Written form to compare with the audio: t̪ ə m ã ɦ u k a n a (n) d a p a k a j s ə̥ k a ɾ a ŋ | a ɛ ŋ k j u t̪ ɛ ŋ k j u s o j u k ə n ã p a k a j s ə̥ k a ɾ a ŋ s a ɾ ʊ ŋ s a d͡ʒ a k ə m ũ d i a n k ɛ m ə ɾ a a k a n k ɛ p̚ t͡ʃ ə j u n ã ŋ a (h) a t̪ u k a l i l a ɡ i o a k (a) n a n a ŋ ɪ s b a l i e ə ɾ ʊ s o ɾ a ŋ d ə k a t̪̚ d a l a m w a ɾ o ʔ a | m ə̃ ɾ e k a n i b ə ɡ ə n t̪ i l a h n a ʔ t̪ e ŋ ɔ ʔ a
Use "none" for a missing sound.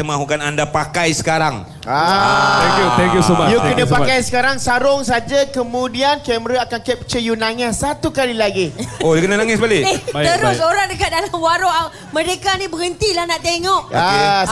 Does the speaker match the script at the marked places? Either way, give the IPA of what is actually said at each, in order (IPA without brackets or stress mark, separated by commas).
n, s, ə